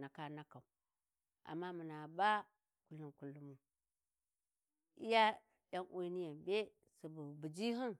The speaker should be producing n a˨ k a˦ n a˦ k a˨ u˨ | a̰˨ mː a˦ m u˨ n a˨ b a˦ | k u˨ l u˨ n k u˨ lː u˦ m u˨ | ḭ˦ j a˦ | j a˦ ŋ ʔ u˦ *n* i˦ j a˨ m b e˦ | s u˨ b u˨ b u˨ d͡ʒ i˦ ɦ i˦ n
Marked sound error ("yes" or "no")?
no